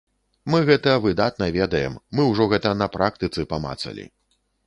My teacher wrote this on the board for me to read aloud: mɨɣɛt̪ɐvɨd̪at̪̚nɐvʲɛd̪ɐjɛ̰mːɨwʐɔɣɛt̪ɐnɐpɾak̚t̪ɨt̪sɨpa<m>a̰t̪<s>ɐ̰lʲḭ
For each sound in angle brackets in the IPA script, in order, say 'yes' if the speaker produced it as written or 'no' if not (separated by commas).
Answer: yes, yes